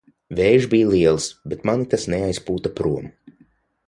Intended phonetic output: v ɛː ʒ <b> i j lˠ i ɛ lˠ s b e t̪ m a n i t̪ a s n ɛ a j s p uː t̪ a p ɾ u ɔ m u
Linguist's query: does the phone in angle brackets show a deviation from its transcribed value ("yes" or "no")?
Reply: no